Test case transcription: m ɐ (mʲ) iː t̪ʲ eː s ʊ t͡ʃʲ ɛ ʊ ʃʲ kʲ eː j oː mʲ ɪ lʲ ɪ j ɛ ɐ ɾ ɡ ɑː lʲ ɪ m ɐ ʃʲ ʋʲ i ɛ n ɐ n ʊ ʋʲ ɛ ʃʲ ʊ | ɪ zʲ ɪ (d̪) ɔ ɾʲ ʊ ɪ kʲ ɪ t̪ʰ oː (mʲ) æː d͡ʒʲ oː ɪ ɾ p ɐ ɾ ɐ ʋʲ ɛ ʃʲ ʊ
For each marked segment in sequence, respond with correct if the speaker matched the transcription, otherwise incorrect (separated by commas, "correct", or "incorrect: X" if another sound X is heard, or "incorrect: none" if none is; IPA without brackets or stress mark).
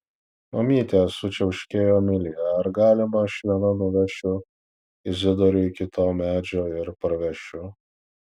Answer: correct, correct, correct